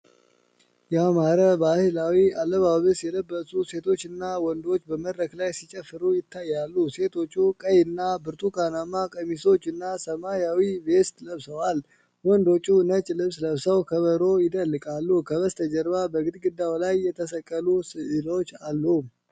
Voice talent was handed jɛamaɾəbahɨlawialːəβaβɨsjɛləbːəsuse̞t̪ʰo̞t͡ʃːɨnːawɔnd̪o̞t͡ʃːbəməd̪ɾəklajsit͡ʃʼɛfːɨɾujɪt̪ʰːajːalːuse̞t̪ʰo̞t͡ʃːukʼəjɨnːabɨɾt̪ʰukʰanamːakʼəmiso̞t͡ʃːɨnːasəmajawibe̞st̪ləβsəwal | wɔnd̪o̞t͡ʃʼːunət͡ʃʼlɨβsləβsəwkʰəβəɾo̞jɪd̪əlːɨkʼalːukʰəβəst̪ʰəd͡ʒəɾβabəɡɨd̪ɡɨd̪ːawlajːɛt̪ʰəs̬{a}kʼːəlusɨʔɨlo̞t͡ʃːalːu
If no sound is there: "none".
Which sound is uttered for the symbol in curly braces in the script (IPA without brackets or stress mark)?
ə